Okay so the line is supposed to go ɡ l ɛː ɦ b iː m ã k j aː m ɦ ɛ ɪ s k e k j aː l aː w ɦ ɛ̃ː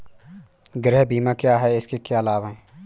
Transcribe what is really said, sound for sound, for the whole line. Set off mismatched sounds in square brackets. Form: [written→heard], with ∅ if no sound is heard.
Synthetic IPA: ɡ [l→ɾ] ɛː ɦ b iː m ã k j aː [m→∅] ɦ ɛ ɪ s k e k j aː l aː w ɦ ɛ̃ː